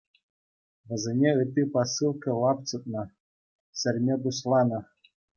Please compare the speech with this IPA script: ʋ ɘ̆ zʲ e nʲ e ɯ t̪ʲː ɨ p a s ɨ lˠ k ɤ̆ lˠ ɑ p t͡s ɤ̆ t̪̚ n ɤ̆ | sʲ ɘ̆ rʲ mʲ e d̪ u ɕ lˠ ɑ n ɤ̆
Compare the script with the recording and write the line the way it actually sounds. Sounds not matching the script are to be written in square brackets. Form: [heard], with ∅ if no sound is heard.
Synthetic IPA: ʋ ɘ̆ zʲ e nʲ e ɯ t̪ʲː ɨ p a s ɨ lˠ k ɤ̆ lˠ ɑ p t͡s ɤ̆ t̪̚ n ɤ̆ | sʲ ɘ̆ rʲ mʲ e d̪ u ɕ lˠ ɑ n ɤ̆